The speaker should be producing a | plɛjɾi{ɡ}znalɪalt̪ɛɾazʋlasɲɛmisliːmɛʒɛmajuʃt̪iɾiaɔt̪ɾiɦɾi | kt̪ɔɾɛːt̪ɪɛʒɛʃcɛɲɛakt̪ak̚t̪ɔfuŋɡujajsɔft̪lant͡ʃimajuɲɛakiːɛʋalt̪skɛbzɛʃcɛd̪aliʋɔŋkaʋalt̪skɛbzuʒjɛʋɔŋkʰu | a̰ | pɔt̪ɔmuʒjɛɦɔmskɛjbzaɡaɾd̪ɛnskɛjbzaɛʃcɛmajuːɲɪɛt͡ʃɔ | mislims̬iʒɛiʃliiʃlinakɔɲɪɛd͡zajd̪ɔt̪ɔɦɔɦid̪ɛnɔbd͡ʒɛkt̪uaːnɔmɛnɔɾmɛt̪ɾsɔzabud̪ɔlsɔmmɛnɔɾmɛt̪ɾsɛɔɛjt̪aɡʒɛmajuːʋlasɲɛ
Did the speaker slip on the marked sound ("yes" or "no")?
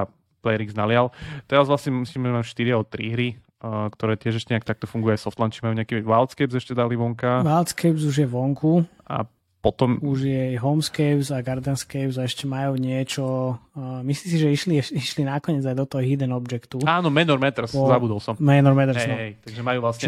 no